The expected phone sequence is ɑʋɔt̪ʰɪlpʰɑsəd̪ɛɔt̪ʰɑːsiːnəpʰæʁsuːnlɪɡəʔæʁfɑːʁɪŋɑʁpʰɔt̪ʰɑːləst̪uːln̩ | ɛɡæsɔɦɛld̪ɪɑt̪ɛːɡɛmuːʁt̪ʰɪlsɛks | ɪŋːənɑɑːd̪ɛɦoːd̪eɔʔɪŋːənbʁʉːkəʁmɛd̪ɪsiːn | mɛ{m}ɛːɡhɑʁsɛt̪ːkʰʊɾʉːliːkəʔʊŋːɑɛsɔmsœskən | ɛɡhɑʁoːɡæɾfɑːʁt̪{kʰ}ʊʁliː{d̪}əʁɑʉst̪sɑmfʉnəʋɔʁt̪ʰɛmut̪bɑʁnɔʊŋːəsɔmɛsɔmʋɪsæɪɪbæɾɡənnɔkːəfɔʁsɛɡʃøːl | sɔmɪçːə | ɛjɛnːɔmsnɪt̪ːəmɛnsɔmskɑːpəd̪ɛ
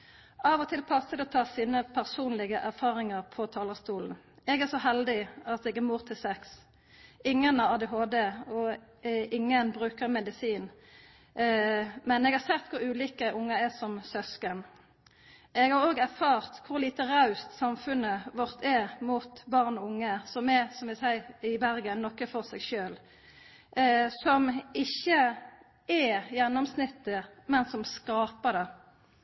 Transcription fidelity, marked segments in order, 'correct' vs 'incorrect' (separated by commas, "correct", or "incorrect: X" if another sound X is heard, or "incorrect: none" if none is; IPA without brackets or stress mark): incorrect: n, correct, incorrect: t̪